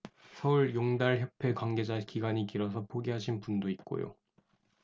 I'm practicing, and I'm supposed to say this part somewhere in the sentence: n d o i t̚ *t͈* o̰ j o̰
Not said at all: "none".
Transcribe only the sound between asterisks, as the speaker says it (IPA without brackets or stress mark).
k͈